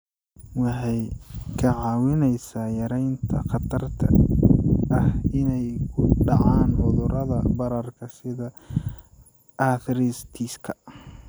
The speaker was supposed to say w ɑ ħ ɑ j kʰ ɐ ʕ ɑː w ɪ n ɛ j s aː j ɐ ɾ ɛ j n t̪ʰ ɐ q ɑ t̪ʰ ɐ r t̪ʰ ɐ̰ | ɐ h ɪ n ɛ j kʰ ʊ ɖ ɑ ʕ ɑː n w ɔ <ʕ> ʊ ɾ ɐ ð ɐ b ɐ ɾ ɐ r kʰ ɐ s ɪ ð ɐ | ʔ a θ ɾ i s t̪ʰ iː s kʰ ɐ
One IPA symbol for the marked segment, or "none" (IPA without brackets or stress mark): ð